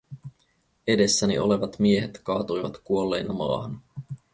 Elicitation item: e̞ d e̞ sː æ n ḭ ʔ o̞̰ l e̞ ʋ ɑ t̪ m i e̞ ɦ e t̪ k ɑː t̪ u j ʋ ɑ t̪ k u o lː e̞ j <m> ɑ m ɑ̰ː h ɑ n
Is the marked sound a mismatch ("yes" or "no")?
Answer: yes